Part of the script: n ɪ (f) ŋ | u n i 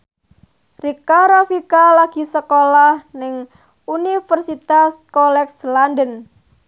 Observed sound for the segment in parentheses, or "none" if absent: none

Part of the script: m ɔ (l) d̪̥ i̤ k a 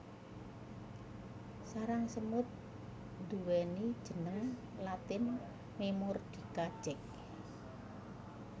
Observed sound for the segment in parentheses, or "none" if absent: r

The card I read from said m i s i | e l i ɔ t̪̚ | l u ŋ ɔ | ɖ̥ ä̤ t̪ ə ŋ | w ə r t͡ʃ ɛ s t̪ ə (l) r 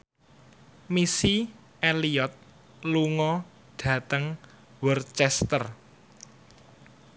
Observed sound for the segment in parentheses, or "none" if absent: none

